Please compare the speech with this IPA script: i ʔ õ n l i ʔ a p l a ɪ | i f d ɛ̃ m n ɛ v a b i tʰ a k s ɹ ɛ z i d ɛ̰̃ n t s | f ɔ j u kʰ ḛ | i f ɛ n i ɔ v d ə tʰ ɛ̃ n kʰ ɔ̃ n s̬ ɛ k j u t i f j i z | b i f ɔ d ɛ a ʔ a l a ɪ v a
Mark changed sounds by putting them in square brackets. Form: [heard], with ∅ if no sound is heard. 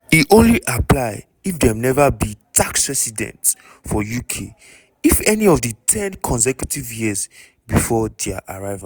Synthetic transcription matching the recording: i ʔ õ n l i ʔ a p l a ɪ | i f d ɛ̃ m n ɛ v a b i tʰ a k s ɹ ɛ [s] i d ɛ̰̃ n t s | f ɔ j u kʰ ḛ | i f ɛ n i ɔ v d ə tʰ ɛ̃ n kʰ ɔ̃ n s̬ ɛ k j u t i [v] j i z | b i f ɔ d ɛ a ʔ a [ɹ] a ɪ v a